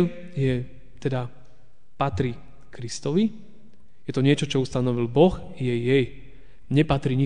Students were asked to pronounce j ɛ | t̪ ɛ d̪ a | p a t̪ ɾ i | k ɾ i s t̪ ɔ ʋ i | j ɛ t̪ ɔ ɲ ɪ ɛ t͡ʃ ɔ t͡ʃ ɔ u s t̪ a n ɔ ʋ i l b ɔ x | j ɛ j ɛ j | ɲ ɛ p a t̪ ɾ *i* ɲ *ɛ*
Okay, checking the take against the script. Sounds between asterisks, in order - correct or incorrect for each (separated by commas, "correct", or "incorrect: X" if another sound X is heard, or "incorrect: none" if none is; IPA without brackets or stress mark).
correct, incorrect: i